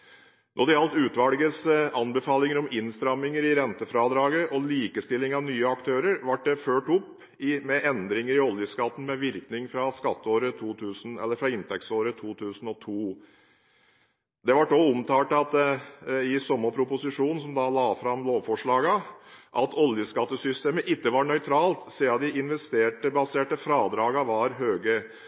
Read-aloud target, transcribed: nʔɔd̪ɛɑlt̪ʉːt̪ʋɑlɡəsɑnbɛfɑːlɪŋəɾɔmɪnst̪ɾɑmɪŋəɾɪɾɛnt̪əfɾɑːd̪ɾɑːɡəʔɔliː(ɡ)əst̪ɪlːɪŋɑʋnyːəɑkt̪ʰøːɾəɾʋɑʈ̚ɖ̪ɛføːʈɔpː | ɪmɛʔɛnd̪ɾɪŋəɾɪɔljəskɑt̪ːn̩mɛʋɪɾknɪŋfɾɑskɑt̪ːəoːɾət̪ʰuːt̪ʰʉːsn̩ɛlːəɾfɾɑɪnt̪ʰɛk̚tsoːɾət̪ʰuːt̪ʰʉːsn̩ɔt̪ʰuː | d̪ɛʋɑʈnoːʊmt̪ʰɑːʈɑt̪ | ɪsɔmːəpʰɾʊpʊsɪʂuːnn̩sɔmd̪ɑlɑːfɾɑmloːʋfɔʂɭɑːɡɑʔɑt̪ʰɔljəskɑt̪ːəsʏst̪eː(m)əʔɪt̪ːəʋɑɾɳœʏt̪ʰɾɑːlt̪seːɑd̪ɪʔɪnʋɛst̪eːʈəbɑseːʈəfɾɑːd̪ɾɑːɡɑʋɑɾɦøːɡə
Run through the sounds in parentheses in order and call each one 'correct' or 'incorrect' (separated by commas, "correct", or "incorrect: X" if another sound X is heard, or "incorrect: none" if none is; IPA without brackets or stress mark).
incorrect: k, correct